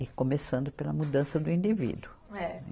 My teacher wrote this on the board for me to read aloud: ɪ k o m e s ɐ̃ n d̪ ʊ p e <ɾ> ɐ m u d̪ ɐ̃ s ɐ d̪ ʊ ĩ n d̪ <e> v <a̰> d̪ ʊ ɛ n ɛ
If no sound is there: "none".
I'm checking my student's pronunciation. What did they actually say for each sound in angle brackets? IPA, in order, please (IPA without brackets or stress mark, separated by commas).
l, i, ḭ